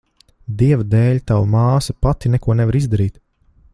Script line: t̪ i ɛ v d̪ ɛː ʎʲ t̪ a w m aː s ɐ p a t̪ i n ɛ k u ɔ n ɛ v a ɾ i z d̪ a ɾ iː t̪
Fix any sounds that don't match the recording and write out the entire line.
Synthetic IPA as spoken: d̪ i ɛ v d̪ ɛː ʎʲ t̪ a w m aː s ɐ p a t̪ i n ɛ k u ɔ n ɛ v a ɾ i z d̪ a ɾ iː t̪

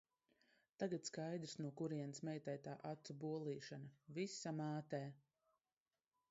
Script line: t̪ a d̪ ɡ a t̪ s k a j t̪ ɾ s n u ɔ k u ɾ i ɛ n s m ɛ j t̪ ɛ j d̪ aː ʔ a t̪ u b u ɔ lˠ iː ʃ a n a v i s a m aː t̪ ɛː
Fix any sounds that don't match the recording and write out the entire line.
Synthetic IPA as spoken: t̪ a ɡ a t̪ s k a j d̪ ɾ s n u ɔ k u ɾ i ɛ n s m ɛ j t̪ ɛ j t̪ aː ʔ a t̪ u b u ɔ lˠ iː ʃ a n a v i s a m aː t̪ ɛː

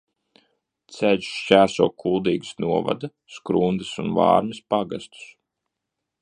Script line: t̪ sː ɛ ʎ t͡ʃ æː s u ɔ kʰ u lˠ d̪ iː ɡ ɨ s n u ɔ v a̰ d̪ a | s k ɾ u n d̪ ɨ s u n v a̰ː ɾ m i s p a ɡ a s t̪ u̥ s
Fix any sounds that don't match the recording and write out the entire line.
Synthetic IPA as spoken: t̪ s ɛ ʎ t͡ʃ æː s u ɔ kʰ u lˠ d̪ iː ɡ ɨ s n u ɔ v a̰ d̪ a | s k ɾ u n d̪ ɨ s u n v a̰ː ɾ m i s p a ɡ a s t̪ u̥ s

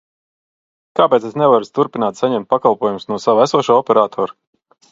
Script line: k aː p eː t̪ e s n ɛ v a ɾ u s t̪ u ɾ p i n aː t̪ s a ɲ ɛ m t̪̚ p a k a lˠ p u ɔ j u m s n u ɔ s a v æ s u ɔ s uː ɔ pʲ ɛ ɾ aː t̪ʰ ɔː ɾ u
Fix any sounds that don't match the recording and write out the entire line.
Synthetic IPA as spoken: k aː p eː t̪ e s n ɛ v a ɾ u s t̪ u ɾ p i n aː t̪ s a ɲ ɛ m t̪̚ p a k a lˠ p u ɔ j u m s n u ɔ s a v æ s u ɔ ʃ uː ɔ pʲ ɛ ɾ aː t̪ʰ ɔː ɾ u

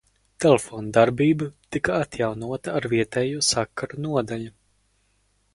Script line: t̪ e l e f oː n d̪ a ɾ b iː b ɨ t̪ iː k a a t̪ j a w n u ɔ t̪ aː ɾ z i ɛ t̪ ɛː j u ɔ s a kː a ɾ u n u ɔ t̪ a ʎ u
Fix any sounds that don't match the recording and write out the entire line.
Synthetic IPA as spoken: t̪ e l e f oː n d̪ a ɾ b iː b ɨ t̪ i k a a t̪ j a w n u ɔ t̪ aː ɾ v i ɛ t̪ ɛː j u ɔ s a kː a ɾ u n u ɔ d̪ a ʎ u

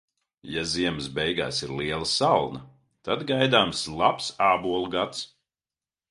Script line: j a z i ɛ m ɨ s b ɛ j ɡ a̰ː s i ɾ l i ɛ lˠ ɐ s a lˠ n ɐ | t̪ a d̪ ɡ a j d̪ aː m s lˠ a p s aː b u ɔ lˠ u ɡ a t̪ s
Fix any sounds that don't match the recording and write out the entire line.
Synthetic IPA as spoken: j a z i ɛ m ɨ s b ɛ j ɡ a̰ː s i ɾ l i ɛ lˠ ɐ s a lˠ n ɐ | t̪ a d̪ ɡ a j d̪ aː m s lˠ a p s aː b u ɔ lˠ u ɡ a t̪ s

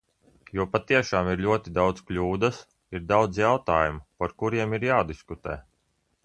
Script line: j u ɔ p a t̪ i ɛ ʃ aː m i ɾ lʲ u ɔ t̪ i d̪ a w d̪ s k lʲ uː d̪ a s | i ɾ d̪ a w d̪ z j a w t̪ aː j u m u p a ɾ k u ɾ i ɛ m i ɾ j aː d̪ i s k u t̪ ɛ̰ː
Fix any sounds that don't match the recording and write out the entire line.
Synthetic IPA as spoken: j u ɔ p a t̪ i ɛ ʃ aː m i ɾ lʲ u ɔ t̪ i d̪ a w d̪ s k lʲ uː d̪ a s | i ɾ d̪ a w d̪ z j a w t̪ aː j u m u p a ɾ k u ɾ i ɛ m i ɾ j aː d̪ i s k u t̪ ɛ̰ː

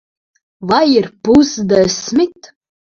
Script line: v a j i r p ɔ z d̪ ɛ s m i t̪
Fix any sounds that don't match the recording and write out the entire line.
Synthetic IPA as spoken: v a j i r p u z d̪ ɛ s m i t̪

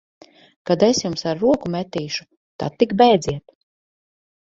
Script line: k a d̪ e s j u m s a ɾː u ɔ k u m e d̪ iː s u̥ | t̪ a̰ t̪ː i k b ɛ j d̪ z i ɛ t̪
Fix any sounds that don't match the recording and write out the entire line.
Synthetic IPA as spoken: k a d̪ e s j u m s a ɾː u ɔ k u m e t̪ iː ʃ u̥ | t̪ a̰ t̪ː i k b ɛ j d̪ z i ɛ t̪

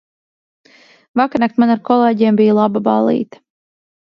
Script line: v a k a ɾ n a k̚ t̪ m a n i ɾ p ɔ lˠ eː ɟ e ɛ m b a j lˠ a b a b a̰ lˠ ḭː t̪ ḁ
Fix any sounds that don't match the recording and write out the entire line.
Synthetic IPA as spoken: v a k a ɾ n a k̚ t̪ m a n a ɾ k ɔ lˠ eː ɟ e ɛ m b i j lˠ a b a b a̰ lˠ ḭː t̪ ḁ

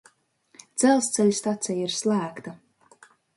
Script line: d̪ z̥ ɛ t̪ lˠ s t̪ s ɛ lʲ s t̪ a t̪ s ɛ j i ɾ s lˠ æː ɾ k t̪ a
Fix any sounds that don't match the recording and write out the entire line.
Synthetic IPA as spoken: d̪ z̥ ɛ lˠ s t̪ s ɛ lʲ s t̪ a t̪ s ɛ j i ɾ s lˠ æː k t̪ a

